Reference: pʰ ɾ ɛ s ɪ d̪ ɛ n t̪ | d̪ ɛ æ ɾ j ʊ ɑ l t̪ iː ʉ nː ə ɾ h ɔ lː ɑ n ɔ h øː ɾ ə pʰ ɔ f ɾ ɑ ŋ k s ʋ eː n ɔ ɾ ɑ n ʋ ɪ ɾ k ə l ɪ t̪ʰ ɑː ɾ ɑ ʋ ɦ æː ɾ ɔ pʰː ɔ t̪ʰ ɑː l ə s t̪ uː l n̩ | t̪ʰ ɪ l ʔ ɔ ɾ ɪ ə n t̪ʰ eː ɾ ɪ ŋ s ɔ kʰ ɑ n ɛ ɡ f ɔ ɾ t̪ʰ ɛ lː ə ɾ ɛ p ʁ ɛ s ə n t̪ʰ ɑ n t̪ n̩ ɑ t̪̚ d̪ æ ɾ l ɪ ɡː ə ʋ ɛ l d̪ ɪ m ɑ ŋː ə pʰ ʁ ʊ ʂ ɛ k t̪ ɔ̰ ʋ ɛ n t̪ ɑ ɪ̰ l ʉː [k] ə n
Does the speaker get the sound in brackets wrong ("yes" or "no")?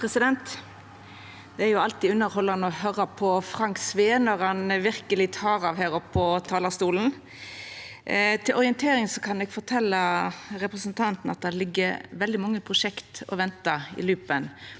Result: yes